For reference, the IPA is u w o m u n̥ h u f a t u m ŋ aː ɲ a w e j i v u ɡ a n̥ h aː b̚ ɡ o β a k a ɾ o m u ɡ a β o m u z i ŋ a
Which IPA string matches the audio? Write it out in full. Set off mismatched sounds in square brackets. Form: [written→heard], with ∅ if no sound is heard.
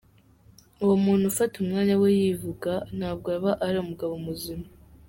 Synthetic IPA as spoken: u w o m [u→uː] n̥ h u f a t u m ŋ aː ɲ a w e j i v u ɡ a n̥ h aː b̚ ɡ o β a [k→ʔ] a ɾ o m u ɡ a β o m u z i [ŋ→m] a